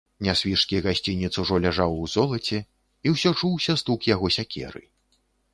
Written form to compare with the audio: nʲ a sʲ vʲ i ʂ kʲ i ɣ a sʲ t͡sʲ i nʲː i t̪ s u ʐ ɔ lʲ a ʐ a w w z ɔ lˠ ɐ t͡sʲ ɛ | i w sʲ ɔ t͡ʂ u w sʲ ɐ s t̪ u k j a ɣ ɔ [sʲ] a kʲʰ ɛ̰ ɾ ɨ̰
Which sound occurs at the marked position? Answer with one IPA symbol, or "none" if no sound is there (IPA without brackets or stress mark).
sʲ